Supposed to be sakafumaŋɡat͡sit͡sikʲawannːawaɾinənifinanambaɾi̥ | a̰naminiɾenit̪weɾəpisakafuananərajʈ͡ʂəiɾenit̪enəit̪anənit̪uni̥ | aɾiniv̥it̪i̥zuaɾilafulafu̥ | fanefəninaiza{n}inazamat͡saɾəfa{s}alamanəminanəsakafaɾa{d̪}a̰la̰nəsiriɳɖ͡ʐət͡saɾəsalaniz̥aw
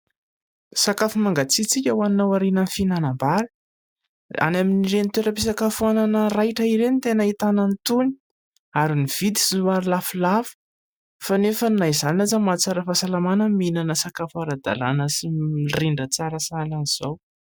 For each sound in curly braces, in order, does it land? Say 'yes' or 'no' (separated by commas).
yes, yes, yes